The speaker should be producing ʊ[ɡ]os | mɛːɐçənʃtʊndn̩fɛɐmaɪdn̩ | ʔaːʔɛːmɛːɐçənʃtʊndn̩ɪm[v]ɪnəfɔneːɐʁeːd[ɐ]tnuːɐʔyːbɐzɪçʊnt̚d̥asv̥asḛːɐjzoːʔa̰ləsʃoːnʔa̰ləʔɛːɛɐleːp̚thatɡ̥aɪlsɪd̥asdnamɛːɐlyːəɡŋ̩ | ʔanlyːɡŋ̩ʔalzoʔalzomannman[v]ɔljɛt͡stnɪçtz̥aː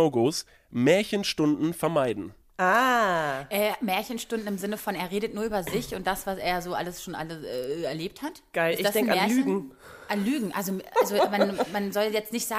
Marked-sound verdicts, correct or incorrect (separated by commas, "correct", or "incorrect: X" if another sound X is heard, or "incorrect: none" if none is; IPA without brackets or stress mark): correct, incorrect: z, incorrect: ə, incorrect: z